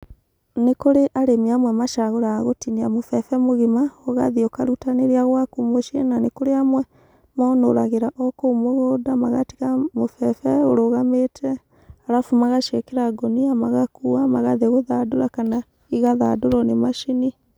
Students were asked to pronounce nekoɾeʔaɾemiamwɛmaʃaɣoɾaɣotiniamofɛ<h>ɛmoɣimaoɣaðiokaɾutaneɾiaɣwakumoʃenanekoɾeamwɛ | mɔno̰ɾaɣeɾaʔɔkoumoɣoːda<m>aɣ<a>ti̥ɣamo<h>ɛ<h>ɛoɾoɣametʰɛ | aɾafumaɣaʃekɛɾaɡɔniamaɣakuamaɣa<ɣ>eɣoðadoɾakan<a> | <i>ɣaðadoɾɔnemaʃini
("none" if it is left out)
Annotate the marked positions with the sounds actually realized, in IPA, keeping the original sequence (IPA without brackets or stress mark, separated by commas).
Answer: f, m, a, f, f, ð, a, i